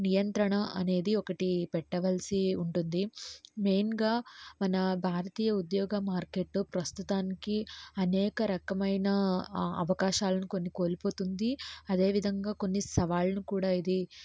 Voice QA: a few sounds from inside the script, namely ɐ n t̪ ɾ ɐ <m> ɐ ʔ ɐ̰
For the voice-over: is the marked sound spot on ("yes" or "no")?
no